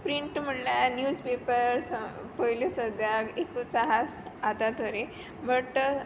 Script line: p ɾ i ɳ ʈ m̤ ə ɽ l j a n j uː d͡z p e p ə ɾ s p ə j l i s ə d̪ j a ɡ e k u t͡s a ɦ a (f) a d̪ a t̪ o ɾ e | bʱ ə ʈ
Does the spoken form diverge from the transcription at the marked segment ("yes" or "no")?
yes